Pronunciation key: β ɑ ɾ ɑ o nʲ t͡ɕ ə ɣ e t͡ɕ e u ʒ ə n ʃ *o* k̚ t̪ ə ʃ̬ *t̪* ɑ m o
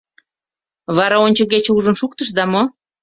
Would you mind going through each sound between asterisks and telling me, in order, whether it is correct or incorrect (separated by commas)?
incorrect, incorrect